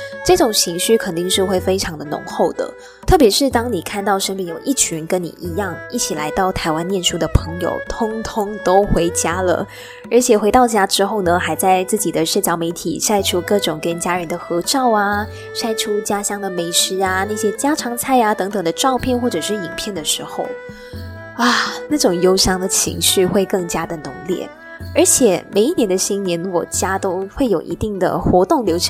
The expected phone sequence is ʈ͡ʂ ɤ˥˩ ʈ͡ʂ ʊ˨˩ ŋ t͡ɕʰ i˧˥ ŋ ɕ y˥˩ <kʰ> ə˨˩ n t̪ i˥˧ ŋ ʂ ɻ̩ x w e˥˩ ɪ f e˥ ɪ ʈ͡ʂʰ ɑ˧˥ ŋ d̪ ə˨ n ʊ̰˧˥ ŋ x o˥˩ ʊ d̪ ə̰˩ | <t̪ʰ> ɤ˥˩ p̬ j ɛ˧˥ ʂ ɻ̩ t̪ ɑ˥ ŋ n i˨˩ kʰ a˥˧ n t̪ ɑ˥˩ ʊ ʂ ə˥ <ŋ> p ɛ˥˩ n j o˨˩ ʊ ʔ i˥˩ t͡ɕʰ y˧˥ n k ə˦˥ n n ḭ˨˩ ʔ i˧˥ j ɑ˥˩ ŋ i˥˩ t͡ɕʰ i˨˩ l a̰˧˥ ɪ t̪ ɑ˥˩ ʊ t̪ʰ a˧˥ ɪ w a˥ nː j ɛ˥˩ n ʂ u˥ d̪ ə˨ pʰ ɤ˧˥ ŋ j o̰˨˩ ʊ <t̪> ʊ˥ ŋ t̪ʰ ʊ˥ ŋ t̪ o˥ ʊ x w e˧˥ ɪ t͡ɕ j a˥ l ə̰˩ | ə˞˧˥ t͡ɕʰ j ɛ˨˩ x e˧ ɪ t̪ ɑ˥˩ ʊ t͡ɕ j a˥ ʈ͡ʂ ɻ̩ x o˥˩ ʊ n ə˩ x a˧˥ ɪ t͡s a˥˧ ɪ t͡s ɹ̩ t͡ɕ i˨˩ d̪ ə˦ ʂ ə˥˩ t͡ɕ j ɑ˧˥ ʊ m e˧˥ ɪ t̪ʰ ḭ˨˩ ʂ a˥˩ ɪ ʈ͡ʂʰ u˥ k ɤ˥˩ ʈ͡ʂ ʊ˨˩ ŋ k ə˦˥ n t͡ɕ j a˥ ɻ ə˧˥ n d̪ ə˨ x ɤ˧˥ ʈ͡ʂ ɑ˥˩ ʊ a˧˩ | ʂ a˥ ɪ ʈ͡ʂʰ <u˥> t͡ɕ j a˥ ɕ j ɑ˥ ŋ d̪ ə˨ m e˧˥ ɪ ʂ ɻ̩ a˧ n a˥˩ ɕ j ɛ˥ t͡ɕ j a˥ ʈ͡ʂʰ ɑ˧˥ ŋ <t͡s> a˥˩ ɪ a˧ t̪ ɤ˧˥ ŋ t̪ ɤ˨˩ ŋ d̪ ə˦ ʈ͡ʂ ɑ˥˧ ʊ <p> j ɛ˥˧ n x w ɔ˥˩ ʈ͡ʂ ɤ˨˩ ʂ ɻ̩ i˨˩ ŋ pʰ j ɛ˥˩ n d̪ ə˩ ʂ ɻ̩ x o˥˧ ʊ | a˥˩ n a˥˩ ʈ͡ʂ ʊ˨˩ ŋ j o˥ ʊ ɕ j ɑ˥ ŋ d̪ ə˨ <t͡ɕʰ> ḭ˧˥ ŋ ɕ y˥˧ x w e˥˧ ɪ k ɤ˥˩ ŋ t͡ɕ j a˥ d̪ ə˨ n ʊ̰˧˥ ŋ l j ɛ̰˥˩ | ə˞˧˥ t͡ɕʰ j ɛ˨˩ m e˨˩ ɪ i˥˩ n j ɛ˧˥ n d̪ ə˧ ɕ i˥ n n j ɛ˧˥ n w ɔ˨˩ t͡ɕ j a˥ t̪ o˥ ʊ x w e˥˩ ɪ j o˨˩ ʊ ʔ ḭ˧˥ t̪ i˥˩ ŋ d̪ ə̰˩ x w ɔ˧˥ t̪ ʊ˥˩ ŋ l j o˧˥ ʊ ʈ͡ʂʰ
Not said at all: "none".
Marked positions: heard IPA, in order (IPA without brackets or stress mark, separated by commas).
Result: kʰ, t̪ʰ, n, t̪ʰ, u˥, t͡sʰ, pʰ, t͡ɕʰ